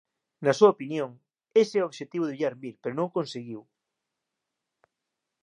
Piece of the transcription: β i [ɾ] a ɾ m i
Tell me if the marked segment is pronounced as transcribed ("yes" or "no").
no